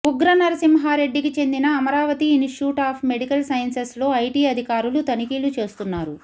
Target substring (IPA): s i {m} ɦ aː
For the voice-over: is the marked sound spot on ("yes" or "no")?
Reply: yes